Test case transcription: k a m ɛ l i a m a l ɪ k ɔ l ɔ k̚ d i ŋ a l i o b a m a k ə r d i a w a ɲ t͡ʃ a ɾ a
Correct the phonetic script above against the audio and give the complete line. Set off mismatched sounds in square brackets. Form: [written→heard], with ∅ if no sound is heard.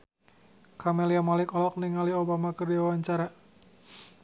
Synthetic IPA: k a m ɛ l i a m a l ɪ k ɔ l ɔ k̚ [d→n] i ŋ a l i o b a m a k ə r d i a w a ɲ t͡ʃ a ɾ a